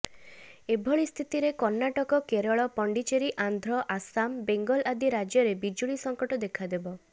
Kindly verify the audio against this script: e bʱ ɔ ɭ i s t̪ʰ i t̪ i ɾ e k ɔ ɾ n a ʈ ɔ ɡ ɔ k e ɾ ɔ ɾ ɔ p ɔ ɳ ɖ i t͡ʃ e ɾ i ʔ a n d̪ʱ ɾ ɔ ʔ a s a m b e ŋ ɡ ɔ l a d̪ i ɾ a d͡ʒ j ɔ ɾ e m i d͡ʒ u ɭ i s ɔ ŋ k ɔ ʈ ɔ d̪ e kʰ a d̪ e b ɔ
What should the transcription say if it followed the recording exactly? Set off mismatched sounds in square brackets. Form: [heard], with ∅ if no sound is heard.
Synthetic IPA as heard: e bʱ ɔ ɭ i s t̪ʰ i t̪ i ɾ e k ɔ ɾ n a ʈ ɔ [k] ɔ k e ɾ ɔ [ɭ] ɔ p ɔ ɳ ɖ i t͡ʃ e ɾ i ʔ a n d̪ʱ ɾ ɔ ʔ a s a m b e ŋ ɡ ɔ l a d̪ i ɾ a d͡ʒ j ɔ ɾ e [b] i d͡ʒ u ɭ i s ɔ ŋ k ɔ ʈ ɔ d̪ e kʰ a d̪ e b ɔ